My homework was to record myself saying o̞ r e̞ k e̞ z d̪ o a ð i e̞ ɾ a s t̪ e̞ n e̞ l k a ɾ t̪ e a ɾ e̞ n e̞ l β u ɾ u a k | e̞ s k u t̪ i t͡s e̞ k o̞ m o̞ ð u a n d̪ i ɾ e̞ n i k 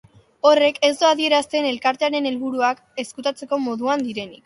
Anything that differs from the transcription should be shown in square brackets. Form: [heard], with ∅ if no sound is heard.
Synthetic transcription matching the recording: o̞ r e̞ k e̞ z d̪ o a ð i e̞ ɾ a s t̪ e̞ n e̞ l k a ɾ t̪ e a ɾ e̞ n e̞ l β u ɾ u a k | e̞ s k u t̪ [a] t͡s e̞ k o̞ m o̞ ð u a n d̪ i ɾ e̞ n i k